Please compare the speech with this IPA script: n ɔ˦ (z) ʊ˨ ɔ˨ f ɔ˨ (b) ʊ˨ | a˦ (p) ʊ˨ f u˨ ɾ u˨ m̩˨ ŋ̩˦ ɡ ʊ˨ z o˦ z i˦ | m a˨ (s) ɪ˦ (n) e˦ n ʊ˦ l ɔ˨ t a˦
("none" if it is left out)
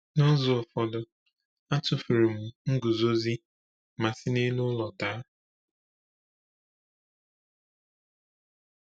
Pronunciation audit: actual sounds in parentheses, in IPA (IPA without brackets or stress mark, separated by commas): z, d, t, s, n